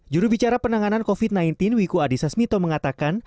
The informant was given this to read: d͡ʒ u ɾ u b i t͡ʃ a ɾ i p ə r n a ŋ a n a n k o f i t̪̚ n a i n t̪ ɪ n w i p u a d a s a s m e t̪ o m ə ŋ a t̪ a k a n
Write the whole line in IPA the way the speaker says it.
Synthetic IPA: d͡ʒ u ɾ u b i t͡ʃ a ɾ a p ə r n a ŋ a n a n k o f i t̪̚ n a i n t̪ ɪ n w i k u a d i s a s m i t̪ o m ə ŋ a t̪ a k a n